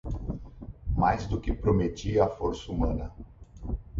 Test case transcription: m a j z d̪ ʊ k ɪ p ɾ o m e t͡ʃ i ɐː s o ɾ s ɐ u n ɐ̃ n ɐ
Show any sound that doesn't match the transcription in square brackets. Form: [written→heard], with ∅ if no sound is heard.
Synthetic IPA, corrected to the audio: m a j z d̪ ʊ k ɪ p ɾ o m e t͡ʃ i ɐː [s→f] o ɾ s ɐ u [n→m] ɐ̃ n ɐ